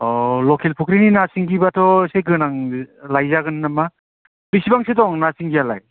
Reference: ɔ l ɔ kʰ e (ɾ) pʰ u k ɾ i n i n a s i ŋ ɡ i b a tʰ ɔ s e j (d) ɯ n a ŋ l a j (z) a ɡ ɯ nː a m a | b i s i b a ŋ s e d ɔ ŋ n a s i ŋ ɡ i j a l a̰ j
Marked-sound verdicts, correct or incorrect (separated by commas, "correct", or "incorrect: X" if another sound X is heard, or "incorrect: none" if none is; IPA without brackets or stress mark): incorrect: l, incorrect: ɡ, correct